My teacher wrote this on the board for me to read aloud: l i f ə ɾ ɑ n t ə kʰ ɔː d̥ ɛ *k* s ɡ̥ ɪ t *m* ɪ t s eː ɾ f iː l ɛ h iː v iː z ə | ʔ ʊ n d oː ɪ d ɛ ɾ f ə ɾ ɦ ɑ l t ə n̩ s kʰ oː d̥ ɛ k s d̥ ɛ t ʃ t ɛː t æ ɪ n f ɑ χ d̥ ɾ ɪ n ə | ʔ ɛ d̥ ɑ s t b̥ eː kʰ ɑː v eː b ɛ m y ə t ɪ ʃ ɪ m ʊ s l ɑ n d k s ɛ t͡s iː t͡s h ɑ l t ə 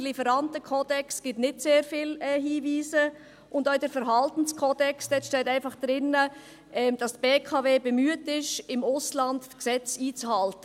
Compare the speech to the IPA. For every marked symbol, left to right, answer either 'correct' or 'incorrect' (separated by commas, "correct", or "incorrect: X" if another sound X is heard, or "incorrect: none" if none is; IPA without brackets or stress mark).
correct, incorrect: n